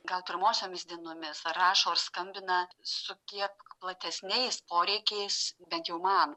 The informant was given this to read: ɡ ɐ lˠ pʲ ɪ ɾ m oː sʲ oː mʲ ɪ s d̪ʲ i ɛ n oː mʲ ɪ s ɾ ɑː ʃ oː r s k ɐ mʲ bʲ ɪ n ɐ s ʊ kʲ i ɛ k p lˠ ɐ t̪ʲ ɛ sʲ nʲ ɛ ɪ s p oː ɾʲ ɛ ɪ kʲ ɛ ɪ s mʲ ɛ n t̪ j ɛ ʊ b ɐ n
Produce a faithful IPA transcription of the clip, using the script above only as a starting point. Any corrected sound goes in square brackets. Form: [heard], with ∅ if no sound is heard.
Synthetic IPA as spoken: ɡ ɐ lˠ pʲ ɪ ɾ m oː sʲ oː mʲ ɪ s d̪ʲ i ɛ n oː mʲ ɪ s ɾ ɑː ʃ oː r s k ɐ mʲ bʲ ɪ n ɐ s ʊ kʲ i ɛ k p lˠ ɐ t̪ʲ ɛ sʲ nʲ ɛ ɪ s p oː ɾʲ ɛ ɪ kʲ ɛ ɪ s [bʲ] ɛ n t̪ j ɛ ʊ [m] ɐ n